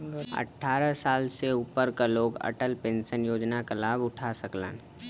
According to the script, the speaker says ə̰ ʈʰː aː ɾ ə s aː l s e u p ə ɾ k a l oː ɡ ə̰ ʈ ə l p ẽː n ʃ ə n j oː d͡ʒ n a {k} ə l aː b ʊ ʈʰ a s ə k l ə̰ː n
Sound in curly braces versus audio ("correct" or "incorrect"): correct